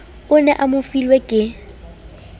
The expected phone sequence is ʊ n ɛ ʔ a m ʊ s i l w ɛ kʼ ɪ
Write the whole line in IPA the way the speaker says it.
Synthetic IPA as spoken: ʊ n ɛ ʔ a m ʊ f i l w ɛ kʼ ɪ